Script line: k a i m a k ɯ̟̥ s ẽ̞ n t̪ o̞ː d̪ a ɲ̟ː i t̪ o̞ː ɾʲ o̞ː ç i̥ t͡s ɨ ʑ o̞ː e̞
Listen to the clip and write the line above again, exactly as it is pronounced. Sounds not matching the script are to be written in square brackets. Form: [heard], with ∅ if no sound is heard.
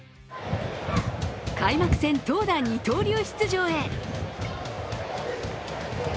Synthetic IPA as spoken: k a i m a k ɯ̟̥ s ẽ̞ n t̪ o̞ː d̪ a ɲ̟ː i t̪ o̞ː ɾʲ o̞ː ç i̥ t͡s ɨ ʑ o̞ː e̞